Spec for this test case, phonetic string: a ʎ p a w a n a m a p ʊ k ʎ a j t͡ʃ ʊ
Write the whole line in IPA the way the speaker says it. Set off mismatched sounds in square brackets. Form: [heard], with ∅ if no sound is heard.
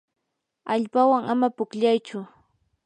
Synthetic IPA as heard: a ʎ p a w a [ŋ] a m a p ʊ k ʎ a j t͡ʃ ʊ